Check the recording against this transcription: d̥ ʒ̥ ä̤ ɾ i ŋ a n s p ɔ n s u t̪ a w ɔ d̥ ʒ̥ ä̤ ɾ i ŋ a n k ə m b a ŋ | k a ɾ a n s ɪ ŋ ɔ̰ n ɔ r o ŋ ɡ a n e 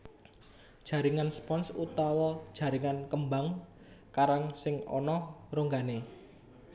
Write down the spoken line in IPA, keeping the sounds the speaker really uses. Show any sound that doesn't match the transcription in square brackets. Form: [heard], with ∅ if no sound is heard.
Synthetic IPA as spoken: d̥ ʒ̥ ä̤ ɾ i ŋ a n s p ɔ n s u t̪ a w ɔ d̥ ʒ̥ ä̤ ɾ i ŋ a n k ə m b a ŋ | k a ɾ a [ŋ] s ɪ ŋ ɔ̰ n ɔ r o ŋ ɡ a n e

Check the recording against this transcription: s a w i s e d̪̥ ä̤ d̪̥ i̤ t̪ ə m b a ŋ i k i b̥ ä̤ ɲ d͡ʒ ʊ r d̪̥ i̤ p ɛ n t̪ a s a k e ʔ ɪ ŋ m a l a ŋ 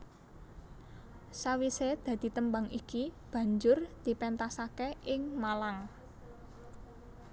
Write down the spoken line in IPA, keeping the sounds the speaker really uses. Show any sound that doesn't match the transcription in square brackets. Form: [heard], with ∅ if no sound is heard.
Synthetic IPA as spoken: s a w i s e d̪̥ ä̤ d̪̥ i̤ t̪ ə m b a ŋ i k i b̥ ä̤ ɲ d͡ʒ ʊ r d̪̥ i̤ p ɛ n t̪ a s a k e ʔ ɪ ŋ m a l a ŋ

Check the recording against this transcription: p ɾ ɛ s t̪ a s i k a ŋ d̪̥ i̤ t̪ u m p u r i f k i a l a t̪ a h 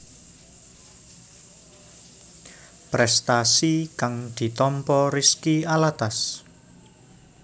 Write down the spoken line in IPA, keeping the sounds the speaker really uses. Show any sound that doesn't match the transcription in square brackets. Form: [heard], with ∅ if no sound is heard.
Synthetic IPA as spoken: p ɾ ɛ s t̪ a s i k a ŋ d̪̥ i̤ t̪ [ɔ] m p [ɔ] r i [s] k i a l a t̪ a [s]

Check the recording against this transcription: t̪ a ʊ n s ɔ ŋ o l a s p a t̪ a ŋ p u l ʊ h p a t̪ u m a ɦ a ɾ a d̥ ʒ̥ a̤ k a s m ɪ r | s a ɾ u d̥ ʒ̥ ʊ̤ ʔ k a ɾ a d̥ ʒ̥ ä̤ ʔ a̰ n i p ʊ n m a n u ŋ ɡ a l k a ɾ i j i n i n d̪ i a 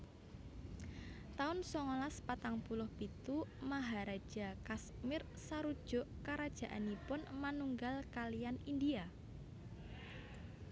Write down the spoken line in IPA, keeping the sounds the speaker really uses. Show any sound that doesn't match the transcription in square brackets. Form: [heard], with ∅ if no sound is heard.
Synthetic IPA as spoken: t̪ a ʊ n s ɔ ŋ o l a s p a t̪ a ŋ p u l ʊ h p [i] t̪ u m a ɦ a ɾ a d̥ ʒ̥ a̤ k a s m ɪ r | s a ɾ u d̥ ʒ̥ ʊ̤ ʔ k a ɾ a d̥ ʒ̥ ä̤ ʔ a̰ n i p ʊ n m a n u ŋ ɡ a l k a [l] i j [a] n i n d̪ i a

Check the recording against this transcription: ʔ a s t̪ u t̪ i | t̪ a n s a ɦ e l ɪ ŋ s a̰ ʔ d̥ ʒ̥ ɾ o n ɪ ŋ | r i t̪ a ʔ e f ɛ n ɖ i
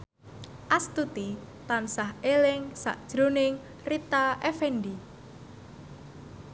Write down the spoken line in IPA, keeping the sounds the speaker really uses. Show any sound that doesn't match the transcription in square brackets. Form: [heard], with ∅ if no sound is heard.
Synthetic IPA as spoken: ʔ a s t̪ u t̪ i | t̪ a n s a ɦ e l ɪ ŋ s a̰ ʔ d̥ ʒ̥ ɾ o n ɪ ŋ | r i t̪ a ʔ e f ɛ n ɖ i

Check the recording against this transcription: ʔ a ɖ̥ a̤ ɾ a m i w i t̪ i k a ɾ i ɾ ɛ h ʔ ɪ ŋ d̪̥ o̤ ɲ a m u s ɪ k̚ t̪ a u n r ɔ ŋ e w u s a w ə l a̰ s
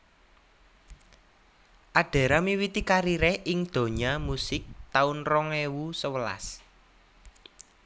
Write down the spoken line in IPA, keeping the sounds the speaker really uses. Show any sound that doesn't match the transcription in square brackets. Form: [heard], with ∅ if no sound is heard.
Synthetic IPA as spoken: ʔ a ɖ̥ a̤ ɾ a m i w i t̪ i k a ɾ i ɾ ɛ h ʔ ɪ ŋ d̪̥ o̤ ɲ a m u s ɪ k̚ t̪ a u n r ɔ ŋ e w u s [ə] w ə l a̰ s

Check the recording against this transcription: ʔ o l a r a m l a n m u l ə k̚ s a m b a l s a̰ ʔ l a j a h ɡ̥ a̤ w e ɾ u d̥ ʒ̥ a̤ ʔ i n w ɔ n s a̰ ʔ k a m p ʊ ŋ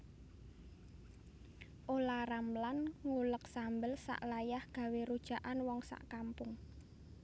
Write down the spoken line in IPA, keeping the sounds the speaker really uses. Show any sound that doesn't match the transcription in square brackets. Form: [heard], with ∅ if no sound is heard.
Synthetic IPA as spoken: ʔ o l a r a m l a n [ŋ] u l ə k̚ s a m b [ə] l s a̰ ʔ l a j a h ɡ̥ a̤ w e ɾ u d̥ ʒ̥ a̤ ʔ [a] n w ɔ [ŋ] s a̰ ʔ k a m p ʊ ŋ

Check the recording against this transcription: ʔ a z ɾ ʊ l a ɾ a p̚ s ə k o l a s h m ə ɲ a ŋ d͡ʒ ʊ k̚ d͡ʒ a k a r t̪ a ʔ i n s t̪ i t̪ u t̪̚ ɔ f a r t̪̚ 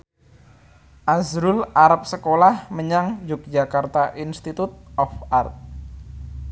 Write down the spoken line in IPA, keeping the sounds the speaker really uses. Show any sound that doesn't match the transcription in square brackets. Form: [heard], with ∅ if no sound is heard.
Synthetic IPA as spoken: ʔ a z ɾ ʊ l a ɾ a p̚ s ə k o l a [∅] h m ə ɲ a ŋ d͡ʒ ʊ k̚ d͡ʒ a k a r t̪ a ʔ i n s t̪ i t̪ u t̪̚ ɔ f a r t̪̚

